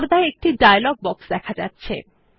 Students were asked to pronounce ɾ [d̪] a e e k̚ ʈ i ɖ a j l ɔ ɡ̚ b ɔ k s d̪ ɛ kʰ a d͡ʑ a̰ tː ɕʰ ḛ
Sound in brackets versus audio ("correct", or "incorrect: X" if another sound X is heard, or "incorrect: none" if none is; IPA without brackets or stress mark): correct